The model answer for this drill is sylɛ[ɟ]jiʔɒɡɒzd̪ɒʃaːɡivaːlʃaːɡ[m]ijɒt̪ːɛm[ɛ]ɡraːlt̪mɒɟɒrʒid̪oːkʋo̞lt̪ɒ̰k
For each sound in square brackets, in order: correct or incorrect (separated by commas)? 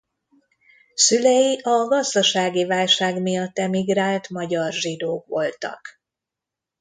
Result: incorrect, correct, incorrect